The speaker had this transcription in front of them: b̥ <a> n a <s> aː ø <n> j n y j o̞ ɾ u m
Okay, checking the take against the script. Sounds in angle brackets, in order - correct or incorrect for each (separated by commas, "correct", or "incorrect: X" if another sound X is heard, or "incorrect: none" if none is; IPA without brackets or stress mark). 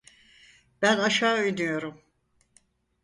incorrect: æ, incorrect: ʃ, incorrect: none